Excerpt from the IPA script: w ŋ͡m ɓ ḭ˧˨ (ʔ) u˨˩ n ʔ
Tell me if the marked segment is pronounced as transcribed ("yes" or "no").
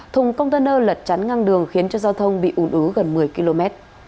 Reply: yes